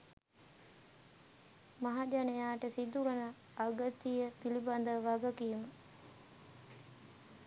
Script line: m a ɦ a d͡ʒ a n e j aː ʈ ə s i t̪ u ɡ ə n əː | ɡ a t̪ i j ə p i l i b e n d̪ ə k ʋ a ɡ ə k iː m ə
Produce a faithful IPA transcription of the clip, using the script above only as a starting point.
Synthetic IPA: m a ɦ a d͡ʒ a n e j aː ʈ ə s i d̪ u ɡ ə n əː | ɡ ə t̪ i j ə p i l i b a n d̪ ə ʋ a ɡ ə k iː m ə